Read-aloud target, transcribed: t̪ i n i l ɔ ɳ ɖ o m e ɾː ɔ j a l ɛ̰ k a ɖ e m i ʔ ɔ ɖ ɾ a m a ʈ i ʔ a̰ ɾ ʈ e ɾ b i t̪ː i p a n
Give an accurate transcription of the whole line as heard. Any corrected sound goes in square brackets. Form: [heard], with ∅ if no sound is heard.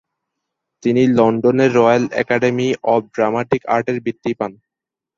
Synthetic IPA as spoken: t̪ i n i l ɔ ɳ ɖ o [n] e ɾː ɔ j a l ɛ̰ k a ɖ e m i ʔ ɔ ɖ ɾ a m a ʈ i [k] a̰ ɾ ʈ e ɾ b i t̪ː i p a n